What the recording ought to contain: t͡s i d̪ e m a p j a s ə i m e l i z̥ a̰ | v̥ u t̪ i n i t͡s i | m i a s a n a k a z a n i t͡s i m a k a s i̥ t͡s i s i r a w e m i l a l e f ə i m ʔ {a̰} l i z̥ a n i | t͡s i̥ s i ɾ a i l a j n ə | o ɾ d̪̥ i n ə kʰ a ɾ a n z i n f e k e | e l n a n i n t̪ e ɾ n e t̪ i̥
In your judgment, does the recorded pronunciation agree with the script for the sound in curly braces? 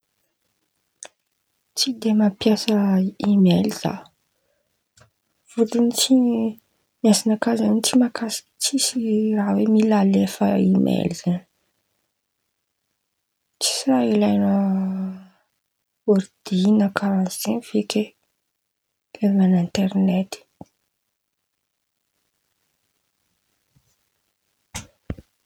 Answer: no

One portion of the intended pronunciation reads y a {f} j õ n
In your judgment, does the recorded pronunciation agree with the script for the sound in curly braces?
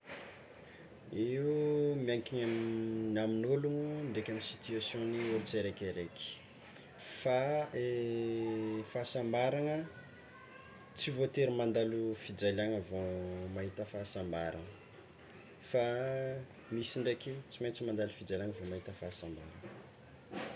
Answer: no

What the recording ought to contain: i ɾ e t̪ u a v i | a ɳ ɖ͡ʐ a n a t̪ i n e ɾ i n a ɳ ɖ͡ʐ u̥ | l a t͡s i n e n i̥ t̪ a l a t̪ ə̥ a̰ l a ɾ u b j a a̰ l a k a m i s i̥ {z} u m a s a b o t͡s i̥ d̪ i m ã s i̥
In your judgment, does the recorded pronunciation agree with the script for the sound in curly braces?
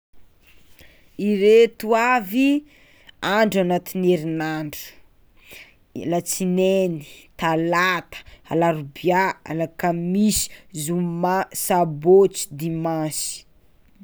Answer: yes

